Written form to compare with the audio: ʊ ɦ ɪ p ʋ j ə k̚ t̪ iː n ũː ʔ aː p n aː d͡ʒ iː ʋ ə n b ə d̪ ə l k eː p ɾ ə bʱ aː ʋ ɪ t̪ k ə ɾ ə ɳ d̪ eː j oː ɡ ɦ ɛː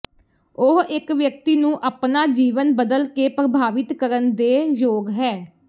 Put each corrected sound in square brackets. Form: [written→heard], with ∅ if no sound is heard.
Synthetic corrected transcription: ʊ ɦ ɪ [p→k] ʋ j ə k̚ t̪ iː n ũː ʔ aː p n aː d͡ʒ iː ʋ ə n b ə d̪ ə l k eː p ɾ ə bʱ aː ʋ ɪ t̪ k ə ɾ ə [ɳ→n] d̪ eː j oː ɡ ɦ ɛː